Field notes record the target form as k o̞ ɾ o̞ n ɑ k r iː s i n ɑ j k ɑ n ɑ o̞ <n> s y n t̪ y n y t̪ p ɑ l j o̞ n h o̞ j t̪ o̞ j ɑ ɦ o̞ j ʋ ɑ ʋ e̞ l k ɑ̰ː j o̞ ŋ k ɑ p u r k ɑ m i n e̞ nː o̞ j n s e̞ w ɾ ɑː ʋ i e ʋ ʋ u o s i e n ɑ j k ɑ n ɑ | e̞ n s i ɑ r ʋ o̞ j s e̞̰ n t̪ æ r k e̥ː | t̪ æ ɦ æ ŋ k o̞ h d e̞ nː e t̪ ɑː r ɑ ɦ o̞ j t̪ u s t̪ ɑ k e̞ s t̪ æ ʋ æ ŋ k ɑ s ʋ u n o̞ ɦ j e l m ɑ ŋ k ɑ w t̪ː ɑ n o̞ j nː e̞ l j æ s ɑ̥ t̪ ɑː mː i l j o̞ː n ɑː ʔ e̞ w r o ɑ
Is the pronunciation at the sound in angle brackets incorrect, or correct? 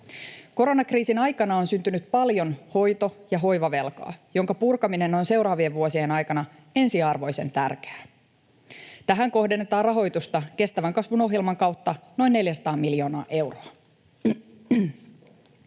correct